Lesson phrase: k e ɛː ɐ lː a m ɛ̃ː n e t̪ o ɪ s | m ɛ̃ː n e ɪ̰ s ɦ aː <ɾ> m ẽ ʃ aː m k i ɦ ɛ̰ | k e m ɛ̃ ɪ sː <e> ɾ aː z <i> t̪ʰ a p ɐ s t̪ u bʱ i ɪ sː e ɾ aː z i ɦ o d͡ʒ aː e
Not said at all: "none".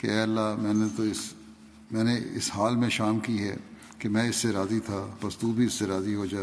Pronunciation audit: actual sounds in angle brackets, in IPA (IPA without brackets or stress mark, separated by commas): l, e, i